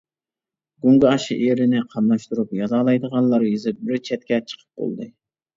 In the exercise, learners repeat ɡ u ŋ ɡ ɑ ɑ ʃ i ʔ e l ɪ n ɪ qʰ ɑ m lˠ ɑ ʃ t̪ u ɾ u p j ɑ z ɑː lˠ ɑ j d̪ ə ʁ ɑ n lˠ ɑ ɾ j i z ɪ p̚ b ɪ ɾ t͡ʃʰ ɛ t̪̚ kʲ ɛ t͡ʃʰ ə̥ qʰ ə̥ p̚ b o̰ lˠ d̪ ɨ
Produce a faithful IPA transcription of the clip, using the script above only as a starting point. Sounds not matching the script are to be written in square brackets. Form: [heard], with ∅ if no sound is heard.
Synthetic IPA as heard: ɡ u ŋ ɡ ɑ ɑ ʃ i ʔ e [ɾ] ɪ n ɪ qʰ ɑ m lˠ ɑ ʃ t̪ u ɾ u p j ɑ z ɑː lˠ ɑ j d̪ ə ʁ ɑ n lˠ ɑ ɾ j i z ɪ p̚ b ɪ ɾ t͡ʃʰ ɛ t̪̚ kʲ ɛ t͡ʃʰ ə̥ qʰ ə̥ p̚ b o̰ lˠ d̪ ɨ